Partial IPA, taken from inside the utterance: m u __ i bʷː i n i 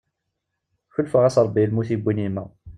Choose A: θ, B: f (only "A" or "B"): A